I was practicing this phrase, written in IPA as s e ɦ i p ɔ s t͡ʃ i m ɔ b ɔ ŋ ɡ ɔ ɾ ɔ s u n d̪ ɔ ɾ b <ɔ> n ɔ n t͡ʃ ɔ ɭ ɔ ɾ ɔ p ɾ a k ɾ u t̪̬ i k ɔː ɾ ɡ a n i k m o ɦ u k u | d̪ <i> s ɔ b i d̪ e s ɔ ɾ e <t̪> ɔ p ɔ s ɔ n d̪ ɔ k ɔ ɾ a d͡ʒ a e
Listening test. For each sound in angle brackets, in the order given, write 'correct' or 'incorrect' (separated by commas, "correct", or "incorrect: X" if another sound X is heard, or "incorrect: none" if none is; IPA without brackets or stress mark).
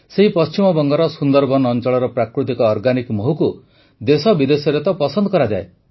correct, incorrect: e, correct